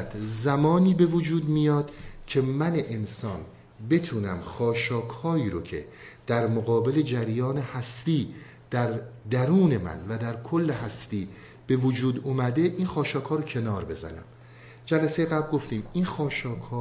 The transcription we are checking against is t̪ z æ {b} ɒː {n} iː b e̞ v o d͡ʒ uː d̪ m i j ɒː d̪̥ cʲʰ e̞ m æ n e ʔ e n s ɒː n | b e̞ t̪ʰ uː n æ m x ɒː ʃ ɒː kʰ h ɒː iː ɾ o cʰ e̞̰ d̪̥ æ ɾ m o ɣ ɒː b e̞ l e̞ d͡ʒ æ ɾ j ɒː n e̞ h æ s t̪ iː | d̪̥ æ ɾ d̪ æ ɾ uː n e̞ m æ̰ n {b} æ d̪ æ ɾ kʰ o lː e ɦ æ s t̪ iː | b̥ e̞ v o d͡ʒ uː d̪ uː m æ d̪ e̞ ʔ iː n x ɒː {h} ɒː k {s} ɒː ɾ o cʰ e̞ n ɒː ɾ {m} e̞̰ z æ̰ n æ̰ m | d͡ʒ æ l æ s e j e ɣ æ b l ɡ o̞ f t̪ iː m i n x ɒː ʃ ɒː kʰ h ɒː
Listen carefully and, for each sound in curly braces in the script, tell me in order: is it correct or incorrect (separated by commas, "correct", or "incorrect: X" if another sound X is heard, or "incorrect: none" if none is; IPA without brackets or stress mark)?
incorrect: m, correct, incorrect: v, incorrect: ʃ, incorrect: h, incorrect: b